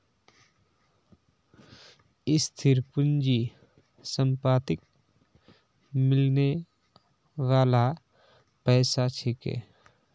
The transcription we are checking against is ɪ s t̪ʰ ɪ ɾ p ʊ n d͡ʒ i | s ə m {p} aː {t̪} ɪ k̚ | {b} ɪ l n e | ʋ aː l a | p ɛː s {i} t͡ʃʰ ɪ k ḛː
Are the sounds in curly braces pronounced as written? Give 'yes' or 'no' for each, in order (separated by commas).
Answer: yes, yes, no, no